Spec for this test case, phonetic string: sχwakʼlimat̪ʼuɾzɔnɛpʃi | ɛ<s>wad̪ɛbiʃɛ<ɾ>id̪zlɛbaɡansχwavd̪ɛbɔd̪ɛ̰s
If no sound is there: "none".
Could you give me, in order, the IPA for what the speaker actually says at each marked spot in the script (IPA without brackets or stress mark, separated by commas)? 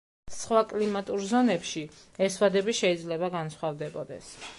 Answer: s, none